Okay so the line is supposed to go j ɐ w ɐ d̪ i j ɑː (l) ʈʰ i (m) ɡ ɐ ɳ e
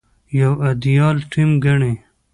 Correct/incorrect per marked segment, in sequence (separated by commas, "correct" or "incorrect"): correct, correct